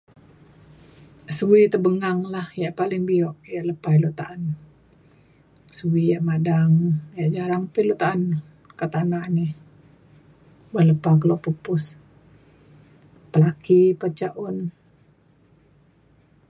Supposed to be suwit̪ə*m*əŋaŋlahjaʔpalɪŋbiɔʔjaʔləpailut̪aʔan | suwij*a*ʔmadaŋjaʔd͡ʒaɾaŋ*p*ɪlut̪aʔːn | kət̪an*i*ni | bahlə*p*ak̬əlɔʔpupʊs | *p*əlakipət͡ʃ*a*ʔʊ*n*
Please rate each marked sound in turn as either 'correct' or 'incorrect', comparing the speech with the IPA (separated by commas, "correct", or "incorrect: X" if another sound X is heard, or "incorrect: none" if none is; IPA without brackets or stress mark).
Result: incorrect: b, correct, correct, incorrect: a, correct, correct, correct, correct